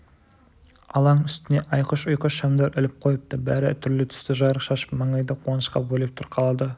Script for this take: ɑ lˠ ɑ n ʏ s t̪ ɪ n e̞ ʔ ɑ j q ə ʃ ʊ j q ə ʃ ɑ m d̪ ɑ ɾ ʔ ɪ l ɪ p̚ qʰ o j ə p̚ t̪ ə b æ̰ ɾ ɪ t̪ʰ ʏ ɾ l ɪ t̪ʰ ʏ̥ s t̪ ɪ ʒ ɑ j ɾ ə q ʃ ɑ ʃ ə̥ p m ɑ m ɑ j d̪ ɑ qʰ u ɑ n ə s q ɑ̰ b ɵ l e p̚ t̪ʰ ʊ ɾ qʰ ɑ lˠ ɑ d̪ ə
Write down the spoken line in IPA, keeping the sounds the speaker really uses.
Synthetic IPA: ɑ lˠ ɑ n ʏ s t̪ ɪ n e̞ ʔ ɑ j q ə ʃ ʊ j q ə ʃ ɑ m d̪ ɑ ɾ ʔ ɪ l ɪ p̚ qʰ o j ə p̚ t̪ ə b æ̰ ɾ ɪ t̪ʰ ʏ ɾ l ɪ t̪ʰ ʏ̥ s t̪ ɪ ʒ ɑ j ɾ ə q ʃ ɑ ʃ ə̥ p m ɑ ɴ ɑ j d̪ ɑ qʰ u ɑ n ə ʃ q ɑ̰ b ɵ l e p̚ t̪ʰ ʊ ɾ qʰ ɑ lˠ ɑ d̪ ə